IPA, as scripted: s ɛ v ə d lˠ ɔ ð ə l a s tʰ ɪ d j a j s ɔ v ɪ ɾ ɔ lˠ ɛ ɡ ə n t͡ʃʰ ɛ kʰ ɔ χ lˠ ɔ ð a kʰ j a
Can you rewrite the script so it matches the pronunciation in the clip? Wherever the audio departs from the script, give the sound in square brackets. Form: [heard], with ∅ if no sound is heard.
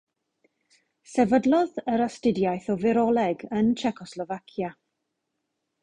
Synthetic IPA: s ɛ v ə d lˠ ɔ ð ə [ɾ] a s [t] ɪ d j a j [θ] ɔ v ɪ ɾ ɔ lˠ ɛ ɡ ə n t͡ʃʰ ɛ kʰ ɔ [s] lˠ ɔ [v] a kʰ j a